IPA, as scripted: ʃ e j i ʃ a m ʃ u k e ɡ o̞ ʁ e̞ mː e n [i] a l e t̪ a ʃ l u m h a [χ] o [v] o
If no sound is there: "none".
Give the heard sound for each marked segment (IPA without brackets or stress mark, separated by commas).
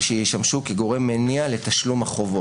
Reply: i, χ, v